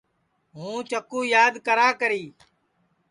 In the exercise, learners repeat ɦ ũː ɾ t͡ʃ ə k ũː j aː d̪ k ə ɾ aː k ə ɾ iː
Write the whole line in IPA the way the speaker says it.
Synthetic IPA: ɦ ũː t͡ʃ ə k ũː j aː d̪ k ə ɾ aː k ə ɾ iː